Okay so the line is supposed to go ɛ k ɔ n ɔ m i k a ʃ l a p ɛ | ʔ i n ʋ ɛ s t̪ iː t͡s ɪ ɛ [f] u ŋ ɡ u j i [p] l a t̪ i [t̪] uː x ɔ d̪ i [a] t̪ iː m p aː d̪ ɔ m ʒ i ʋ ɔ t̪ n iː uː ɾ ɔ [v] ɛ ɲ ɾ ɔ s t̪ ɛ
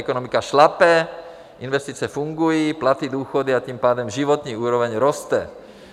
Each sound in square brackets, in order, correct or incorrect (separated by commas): correct, correct, incorrect, correct, incorrect